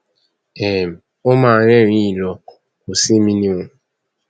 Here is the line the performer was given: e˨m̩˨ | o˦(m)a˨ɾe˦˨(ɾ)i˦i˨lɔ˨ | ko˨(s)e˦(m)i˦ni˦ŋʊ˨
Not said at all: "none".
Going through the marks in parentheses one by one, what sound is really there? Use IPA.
m, ɾ, s, m

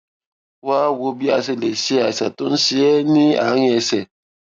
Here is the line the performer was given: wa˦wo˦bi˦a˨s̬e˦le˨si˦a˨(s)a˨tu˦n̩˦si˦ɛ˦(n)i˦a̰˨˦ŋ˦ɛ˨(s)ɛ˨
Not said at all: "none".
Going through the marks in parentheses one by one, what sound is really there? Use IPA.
s, n, s

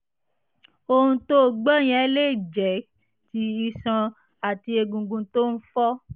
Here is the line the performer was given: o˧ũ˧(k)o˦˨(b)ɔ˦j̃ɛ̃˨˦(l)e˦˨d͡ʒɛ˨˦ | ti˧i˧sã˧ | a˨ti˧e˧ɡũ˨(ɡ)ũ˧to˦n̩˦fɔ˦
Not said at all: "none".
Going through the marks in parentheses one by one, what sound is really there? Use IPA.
t, ɡ͡b, l, ɡ

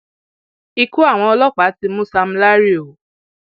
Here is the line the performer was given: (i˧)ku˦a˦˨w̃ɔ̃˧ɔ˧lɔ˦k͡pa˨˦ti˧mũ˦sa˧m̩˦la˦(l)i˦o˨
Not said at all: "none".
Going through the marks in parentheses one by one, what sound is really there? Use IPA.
i˧, ɾ

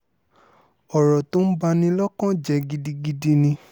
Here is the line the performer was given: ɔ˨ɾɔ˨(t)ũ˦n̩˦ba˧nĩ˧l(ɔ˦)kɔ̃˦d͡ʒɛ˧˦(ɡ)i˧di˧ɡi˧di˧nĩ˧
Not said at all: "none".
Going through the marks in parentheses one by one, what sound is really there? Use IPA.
t, ɔ˦, ɡ

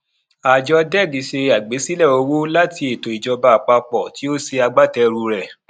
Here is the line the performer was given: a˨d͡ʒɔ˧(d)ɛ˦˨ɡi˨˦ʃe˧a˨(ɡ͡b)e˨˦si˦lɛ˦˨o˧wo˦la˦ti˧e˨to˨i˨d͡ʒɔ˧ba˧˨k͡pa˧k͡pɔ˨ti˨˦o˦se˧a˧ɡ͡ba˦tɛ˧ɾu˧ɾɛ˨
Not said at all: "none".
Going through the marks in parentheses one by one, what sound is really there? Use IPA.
d, ɡ͡b

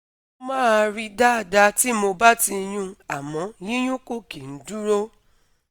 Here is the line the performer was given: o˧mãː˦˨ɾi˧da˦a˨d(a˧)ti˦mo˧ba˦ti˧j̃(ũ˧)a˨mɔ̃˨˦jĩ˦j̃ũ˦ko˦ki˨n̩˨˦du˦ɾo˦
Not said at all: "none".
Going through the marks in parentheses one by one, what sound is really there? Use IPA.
a˧, ũ˧

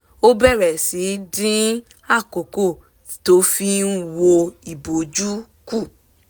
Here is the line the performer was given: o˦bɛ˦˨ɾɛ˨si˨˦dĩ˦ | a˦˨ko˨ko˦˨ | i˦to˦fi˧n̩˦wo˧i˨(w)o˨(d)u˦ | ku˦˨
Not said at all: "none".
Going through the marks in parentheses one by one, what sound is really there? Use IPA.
b, d͡ʒ

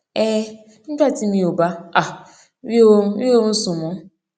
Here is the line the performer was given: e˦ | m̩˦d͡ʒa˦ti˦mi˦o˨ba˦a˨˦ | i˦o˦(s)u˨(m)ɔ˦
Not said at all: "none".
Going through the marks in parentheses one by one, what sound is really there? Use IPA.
s, m

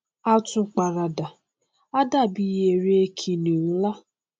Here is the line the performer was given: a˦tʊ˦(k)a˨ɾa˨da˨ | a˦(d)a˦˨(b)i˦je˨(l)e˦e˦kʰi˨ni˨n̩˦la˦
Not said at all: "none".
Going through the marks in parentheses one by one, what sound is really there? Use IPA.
k͡p, d, b, ɾ

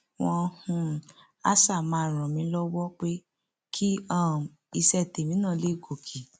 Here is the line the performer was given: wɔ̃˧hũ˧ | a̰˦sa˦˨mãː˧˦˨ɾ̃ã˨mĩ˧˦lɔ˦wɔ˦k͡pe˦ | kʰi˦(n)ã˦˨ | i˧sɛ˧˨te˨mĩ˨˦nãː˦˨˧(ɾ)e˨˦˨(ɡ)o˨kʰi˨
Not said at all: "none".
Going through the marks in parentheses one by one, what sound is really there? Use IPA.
none, l, ɡ

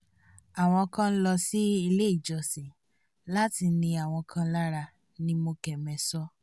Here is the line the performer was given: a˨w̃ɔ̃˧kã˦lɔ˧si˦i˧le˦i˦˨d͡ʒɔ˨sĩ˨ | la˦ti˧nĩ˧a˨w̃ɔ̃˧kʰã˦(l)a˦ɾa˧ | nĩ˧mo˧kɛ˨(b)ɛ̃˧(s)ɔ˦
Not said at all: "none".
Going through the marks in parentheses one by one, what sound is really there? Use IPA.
l, m, s

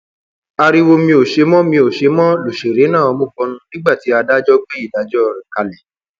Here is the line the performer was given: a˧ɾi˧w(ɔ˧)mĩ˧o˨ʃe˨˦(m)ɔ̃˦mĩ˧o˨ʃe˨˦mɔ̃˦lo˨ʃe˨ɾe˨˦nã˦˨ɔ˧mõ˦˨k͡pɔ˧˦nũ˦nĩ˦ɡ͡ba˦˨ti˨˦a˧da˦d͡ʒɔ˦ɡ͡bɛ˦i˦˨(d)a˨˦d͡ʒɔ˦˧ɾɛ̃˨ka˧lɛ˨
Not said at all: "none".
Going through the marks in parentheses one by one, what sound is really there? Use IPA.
o˧, m, d

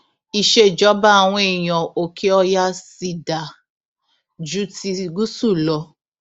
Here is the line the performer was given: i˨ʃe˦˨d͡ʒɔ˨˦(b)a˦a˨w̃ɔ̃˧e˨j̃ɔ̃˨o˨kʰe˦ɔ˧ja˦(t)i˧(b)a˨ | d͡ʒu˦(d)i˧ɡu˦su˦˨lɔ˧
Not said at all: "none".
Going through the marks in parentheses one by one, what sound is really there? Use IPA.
b, s, d, t

